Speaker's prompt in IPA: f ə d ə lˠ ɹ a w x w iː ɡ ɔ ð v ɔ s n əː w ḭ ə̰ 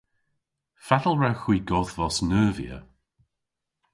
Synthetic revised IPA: f a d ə lˠ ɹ a w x w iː ɡ ɔ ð v ɔ s n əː v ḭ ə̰

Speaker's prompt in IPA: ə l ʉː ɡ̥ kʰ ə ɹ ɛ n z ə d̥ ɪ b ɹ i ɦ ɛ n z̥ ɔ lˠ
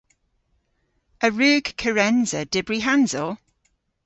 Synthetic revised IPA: ə ɹ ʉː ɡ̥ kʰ ə ɹ ɛ n z ə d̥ ɪ b ɹ i ɦ a n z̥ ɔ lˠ

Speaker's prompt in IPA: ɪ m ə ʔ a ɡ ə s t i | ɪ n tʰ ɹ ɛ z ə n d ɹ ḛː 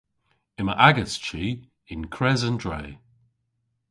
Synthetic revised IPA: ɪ m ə ʔ a ɡ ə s t͡ʃ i | ɪ n kʰ ɹ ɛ z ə n d ɹ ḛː

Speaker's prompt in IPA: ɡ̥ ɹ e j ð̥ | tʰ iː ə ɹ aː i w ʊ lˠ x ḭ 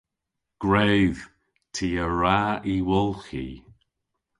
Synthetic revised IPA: ɡ̥ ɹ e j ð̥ | tʰ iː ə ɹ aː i w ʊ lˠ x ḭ

